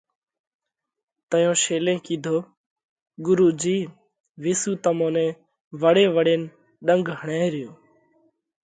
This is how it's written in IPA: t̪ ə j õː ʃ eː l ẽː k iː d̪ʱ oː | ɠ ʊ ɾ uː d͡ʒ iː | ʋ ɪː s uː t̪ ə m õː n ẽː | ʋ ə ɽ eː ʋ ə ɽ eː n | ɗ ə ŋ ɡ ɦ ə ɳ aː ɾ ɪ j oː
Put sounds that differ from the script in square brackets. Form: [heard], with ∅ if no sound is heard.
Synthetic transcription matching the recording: t̪ ə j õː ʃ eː l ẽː k iː d̪ʱ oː | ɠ ʊ ɾ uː d͡ʒ iː | ʋ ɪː s uː t̪ ə m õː n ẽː | ʋ ə ɽ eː ʋ ə ɽ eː n | ɗ ə ŋ ɡ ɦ ə ɳ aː ɾ ɪ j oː